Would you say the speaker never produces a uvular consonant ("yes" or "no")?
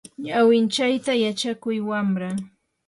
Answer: yes